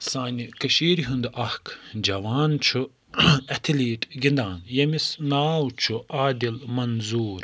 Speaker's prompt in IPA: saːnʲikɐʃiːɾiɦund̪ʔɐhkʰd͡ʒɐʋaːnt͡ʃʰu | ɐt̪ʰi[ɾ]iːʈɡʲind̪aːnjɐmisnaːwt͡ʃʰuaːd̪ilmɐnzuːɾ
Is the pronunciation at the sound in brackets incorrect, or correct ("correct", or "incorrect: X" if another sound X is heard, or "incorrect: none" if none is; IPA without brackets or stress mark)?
incorrect: l